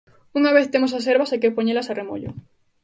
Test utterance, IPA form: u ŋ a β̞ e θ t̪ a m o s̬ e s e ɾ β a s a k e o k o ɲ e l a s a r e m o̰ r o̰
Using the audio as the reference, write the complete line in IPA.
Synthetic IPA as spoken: u ŋ a β̞ e θ t̪ e m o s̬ a s e ɾ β a s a k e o p o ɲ e l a s a r e m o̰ ʎ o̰